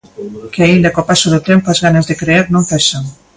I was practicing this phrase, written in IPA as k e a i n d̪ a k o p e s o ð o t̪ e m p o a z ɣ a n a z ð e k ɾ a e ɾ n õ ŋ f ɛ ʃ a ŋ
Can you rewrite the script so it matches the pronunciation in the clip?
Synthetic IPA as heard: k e a i n d̪ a k o p a s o ð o t̪ e m p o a z ɣ a n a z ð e k ɾ e e ɾ n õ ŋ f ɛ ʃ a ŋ